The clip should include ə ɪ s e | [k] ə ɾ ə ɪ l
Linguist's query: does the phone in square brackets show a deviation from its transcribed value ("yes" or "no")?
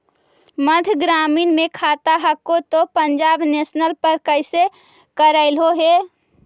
no